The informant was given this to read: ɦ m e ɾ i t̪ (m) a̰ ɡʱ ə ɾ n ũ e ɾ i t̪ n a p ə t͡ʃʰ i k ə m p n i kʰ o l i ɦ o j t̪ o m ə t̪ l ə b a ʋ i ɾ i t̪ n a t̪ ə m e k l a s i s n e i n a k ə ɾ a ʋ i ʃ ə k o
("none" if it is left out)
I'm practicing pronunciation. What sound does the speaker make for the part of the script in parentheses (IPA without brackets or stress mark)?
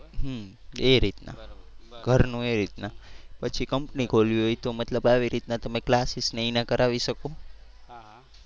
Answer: n